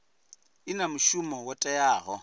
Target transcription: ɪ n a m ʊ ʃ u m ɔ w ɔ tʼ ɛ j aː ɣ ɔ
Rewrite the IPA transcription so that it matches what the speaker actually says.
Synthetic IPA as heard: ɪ n a m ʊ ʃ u m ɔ w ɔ tʼ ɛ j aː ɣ ɔ